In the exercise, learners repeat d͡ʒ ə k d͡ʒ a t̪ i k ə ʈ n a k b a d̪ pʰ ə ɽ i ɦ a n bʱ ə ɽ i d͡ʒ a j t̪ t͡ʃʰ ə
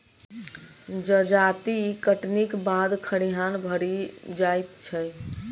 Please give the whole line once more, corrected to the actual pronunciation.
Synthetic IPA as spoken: d͡ʒ ə d͡ʒ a t̪ i k ə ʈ n i k b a d̪ kʰ ə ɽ i ɦ a n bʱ ə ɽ i d͡ʒ a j t̪ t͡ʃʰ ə